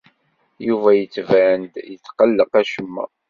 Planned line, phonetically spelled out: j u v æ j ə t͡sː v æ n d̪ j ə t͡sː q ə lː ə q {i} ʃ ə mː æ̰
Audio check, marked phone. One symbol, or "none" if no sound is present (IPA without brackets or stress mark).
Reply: æ